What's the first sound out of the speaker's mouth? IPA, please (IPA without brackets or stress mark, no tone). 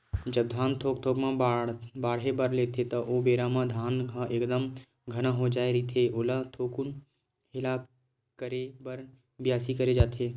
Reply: d͡ʒ